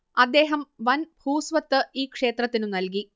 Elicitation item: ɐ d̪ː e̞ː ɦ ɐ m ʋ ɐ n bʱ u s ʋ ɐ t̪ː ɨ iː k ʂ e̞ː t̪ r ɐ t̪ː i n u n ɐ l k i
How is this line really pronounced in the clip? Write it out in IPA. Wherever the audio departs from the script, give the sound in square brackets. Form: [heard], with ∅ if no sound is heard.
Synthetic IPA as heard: ɐ d̪ː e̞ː ɦ ɐ m ʋ ɐ n bʱ [uː] s ʋ ɐ t̪ː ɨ iː k ʂ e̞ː t̪ r ɐ t̪ː i n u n ɐ l k i